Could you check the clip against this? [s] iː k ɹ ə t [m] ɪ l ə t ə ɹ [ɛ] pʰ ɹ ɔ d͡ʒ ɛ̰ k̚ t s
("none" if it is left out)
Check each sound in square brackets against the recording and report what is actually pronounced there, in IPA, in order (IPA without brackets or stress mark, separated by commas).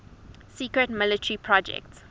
s, m, i